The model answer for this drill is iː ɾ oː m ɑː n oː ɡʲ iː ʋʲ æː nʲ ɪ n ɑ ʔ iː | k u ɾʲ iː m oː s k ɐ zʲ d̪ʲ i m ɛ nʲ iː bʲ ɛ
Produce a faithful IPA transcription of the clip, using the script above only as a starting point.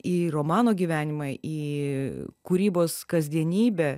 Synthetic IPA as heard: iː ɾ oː m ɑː n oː ɡʲ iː ʋʲ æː nʲ ɪ m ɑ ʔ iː | k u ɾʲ iː b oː s k ɐ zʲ d̪ʲ i ɛ nʲ iː bʲ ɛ